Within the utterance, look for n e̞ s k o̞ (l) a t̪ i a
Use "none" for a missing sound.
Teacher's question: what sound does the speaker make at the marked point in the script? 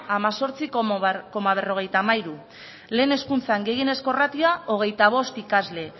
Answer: r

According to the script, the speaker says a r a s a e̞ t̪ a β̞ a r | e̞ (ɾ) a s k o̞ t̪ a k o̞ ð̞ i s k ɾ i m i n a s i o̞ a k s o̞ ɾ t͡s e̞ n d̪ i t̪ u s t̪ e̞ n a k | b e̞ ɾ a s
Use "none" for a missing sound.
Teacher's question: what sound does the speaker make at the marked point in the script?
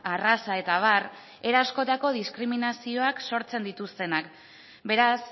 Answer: ɾ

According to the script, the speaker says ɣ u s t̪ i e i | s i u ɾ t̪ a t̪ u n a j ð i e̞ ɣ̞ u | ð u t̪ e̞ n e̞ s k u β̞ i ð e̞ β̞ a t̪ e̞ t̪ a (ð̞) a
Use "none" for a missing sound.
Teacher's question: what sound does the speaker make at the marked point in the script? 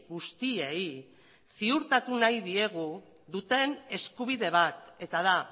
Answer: ð̞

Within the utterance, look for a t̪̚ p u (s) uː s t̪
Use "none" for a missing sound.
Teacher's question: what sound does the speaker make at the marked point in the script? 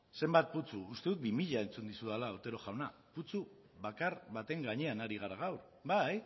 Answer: t͡s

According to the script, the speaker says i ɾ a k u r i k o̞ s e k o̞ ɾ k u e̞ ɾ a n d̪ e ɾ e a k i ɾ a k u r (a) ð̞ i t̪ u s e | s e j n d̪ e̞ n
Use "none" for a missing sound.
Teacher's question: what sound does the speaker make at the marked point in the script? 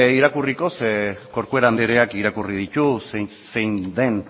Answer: i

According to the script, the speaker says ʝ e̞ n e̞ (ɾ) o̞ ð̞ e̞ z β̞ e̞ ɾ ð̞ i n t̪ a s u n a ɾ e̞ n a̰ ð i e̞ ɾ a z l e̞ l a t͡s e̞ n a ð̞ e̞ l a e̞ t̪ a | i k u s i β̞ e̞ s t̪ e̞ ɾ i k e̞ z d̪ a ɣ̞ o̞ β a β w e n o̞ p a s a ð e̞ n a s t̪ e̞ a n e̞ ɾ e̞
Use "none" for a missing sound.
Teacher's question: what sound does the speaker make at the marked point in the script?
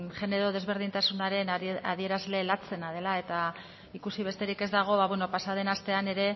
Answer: ɾ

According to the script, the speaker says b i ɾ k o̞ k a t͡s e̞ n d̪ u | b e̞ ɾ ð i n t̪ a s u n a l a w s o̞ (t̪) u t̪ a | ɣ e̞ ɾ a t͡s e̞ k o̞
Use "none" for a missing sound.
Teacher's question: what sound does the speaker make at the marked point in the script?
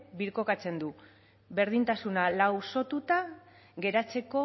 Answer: t̪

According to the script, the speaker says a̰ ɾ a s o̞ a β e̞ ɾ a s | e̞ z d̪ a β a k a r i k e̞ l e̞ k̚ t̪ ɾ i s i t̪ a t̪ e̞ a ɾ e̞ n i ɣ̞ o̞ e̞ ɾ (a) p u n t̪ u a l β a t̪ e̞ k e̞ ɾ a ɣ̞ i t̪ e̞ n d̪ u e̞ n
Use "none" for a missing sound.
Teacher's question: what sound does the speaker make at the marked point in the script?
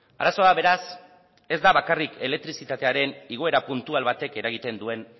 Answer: a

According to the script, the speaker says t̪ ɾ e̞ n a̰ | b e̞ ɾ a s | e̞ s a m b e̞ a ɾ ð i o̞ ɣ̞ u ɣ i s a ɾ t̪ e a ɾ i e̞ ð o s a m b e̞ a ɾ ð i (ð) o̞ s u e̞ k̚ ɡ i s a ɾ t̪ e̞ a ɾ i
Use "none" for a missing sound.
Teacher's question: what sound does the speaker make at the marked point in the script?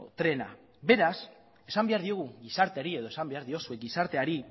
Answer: none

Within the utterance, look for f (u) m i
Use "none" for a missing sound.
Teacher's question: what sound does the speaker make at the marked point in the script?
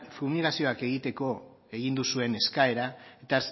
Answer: u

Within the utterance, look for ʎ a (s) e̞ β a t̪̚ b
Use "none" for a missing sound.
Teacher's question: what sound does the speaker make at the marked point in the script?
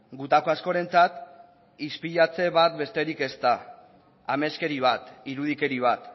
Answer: t͡s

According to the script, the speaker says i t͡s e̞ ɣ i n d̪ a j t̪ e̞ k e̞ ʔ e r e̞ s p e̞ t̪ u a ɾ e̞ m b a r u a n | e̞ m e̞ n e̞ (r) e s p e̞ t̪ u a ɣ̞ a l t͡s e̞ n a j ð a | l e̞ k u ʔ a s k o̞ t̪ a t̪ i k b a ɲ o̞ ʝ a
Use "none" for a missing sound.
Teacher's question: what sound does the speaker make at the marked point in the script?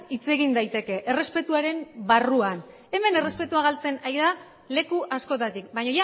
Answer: r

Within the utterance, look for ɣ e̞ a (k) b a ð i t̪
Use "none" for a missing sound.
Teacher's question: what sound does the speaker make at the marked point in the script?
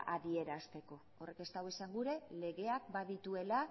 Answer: k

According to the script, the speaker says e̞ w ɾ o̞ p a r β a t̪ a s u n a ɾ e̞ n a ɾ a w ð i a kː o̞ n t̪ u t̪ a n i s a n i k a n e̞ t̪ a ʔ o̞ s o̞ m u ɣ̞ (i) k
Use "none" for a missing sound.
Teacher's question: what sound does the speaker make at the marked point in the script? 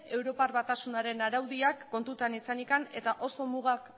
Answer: a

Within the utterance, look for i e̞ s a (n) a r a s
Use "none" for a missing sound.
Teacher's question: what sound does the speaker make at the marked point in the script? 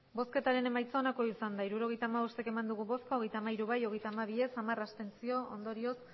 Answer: m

